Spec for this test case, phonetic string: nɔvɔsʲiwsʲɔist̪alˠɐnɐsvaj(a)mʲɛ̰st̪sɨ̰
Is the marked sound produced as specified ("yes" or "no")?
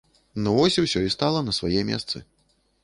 no